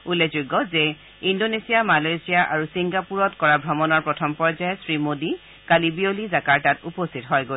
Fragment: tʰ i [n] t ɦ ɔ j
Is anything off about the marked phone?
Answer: yes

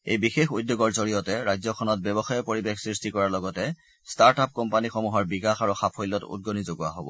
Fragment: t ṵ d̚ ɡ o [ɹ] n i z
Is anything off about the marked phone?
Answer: yes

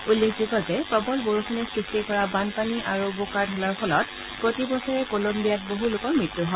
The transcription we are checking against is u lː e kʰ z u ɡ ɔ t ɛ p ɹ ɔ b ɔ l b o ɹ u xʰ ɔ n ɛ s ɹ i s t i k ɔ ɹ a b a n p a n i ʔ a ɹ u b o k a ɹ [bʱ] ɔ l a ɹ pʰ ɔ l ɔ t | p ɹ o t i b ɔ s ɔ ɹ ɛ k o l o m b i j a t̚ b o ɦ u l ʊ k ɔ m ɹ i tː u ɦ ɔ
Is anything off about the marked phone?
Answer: yes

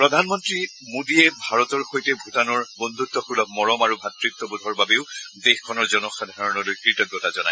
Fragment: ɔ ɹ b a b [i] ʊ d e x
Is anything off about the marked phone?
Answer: yes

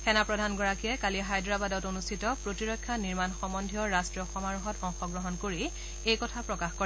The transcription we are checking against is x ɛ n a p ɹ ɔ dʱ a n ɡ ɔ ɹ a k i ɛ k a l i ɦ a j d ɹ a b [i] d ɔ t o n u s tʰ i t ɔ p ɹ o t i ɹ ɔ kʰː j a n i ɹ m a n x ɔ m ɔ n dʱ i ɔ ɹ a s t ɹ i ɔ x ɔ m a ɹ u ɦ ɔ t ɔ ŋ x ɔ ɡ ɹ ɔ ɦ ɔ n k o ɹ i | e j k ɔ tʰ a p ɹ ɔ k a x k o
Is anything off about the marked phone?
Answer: yes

